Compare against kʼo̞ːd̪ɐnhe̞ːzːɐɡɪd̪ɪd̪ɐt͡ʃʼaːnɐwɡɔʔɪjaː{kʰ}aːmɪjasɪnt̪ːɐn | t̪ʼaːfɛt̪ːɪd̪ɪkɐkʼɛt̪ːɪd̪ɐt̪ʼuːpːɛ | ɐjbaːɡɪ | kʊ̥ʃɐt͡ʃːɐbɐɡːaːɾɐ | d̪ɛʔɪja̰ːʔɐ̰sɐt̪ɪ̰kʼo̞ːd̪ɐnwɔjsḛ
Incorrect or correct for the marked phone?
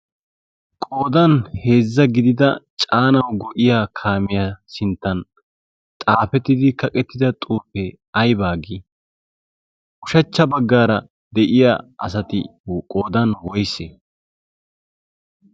correct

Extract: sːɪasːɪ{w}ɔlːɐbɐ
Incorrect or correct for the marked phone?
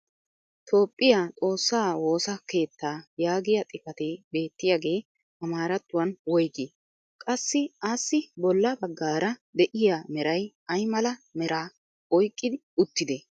incorrect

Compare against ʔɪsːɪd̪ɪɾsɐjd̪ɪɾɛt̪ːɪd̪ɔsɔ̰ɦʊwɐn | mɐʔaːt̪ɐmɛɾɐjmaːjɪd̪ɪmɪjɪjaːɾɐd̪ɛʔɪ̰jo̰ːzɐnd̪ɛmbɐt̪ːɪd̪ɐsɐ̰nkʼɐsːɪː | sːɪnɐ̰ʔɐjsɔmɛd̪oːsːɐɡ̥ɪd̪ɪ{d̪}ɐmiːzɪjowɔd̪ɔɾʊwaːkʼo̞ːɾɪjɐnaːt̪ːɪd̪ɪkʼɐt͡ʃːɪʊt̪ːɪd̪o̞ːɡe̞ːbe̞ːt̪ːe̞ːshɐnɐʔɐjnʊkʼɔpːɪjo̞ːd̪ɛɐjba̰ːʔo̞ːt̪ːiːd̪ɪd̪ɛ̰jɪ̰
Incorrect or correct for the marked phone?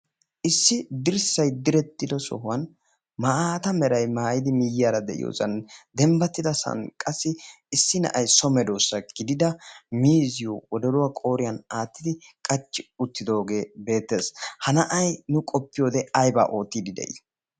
correct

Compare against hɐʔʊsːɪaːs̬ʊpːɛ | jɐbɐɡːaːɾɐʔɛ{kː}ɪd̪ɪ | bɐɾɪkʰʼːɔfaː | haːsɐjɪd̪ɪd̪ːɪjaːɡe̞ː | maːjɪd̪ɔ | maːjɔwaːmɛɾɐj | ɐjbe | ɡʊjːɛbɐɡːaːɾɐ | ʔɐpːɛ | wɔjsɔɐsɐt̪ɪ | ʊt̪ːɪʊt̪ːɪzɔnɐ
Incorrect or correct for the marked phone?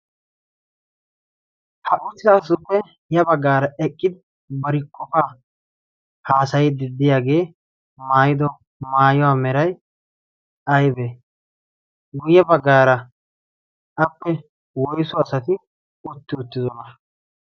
incorrect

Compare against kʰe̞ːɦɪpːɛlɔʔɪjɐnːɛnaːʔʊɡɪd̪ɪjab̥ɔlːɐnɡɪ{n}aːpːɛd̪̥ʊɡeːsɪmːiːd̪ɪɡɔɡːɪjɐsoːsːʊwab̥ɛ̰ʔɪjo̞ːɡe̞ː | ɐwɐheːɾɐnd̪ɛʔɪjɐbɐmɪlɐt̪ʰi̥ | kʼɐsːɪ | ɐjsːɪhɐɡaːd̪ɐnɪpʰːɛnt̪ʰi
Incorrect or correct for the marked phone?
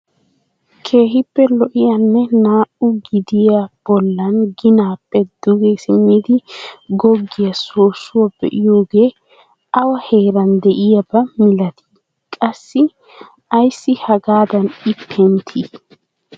correct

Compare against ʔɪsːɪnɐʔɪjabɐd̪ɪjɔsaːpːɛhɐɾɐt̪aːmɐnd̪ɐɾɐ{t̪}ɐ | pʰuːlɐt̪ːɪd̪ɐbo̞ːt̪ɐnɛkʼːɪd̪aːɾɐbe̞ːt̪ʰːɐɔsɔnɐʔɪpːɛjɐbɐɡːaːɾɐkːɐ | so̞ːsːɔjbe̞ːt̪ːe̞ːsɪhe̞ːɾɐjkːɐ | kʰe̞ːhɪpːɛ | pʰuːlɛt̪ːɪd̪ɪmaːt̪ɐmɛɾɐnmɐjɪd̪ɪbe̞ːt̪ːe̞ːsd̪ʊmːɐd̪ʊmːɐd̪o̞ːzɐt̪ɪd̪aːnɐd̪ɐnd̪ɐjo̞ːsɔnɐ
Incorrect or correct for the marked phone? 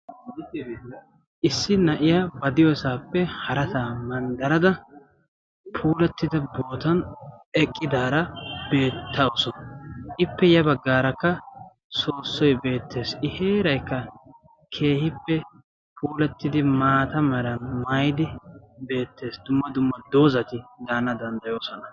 incorrect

